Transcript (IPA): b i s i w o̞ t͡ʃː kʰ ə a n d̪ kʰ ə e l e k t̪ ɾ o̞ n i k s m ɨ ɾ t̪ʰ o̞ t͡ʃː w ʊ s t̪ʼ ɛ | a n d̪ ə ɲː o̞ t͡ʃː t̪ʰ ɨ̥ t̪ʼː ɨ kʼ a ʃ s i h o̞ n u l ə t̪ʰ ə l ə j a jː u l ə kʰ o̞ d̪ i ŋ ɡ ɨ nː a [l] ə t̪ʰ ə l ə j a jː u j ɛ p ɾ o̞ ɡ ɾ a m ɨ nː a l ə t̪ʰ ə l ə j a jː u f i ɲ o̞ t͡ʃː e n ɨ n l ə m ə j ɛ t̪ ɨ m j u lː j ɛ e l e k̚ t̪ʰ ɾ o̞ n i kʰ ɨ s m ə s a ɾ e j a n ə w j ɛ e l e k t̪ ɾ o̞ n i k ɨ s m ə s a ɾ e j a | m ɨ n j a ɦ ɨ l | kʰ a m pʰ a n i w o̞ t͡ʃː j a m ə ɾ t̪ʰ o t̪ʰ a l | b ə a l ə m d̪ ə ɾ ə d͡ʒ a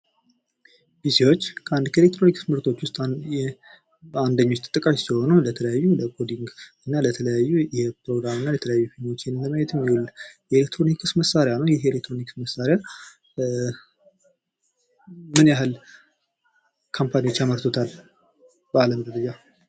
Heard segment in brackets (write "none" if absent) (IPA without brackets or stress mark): l